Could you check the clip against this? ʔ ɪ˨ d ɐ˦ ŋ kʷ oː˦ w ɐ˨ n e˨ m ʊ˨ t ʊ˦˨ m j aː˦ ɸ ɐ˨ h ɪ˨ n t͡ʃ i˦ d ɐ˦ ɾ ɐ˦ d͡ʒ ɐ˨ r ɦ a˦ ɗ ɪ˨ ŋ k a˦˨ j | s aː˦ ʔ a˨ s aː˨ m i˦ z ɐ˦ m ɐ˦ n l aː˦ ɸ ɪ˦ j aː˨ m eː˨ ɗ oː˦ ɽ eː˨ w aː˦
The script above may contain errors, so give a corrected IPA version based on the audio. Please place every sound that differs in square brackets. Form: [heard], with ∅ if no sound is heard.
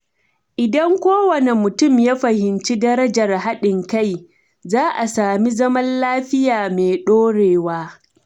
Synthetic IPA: ʔ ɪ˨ d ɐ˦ ŋ kʷ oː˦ w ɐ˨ n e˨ m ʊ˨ t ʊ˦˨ m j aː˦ ɸ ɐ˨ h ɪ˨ n t͡ʃ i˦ d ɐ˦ ɾ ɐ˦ d͡ʒ ɐ˨ r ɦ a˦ ɗ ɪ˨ ŋ k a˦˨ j | [z] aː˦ ʔ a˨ s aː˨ m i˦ z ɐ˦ m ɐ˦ n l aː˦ ɸ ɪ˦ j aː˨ m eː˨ ɗ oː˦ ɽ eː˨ w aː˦